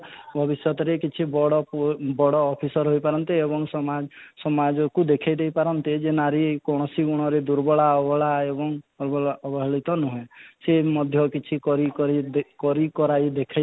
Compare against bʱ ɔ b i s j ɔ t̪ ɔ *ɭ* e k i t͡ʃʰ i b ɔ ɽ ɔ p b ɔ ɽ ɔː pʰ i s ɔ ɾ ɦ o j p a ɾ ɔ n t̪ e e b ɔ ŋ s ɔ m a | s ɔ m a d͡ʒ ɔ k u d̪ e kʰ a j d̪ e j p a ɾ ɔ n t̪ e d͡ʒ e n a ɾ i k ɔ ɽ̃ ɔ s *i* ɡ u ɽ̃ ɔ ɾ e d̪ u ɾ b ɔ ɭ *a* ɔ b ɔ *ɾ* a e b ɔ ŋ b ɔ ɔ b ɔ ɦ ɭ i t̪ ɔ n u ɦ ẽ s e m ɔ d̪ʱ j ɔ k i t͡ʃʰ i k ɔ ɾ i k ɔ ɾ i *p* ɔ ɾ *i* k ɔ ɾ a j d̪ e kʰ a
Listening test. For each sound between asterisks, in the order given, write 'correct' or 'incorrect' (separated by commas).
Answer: incorrect, correct, correct, incorrect, incorrect, correct